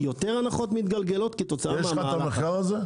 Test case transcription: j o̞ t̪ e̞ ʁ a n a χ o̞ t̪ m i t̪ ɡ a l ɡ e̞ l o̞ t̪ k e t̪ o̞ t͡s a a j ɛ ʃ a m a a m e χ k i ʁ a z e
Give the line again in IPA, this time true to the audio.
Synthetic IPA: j o̞ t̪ e̞ ʁ a n a χ o̞ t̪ m i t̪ ɡ a l ɡ e̞ l o̞ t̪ k e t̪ o̞ t͡s a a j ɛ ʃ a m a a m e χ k a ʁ a z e